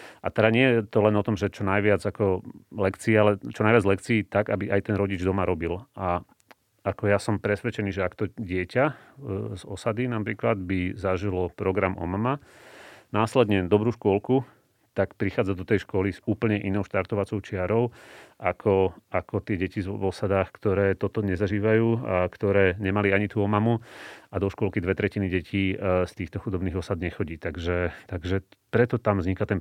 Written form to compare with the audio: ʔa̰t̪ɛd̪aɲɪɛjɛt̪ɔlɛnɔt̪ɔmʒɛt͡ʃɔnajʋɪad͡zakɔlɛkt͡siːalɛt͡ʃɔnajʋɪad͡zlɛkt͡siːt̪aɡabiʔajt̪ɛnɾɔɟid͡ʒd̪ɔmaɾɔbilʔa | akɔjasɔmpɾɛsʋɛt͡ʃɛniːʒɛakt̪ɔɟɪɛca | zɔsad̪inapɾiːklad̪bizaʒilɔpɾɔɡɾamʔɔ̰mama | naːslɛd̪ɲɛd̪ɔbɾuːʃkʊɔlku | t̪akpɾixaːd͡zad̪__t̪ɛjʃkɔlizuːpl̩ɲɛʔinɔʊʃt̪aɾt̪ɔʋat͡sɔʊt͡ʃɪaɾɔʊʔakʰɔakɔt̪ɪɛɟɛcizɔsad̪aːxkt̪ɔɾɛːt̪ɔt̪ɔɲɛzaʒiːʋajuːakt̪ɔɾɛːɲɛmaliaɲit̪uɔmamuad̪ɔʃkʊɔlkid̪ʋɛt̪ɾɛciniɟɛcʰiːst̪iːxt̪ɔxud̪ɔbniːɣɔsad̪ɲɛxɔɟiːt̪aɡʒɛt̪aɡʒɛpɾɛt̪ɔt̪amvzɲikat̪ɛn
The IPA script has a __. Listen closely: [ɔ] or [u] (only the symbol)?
ɔ